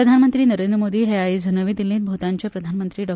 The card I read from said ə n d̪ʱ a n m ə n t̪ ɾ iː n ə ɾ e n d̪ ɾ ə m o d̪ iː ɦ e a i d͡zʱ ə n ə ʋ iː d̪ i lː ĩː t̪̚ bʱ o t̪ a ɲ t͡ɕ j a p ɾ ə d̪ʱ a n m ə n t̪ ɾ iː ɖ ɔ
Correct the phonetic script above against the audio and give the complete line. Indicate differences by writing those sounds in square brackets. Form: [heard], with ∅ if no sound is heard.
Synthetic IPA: ə [∅] d̪ʱ a n m ə n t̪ ɾ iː n ə ɾ e n d̪ ɾ ə m o d̪ iː ɦ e a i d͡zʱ ə n ə ʋ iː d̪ i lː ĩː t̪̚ bʱ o t̪ a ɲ t͡ɕ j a p ɾ ə d̪ʱ a n m ə n t̪ ɾ iː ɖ ɔ